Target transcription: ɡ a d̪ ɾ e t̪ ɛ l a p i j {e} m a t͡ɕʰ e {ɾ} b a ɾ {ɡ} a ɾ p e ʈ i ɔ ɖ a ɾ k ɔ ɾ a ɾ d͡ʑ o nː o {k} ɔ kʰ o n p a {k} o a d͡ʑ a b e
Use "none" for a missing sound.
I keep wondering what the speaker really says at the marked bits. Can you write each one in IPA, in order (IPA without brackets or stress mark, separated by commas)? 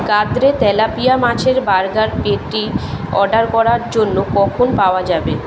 a, ɾ, ɡ, k, none